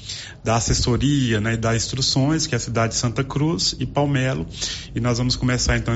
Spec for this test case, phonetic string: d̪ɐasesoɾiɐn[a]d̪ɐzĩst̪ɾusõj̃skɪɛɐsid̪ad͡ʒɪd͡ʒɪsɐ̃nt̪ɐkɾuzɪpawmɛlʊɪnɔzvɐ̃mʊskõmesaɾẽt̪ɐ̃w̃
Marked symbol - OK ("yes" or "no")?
no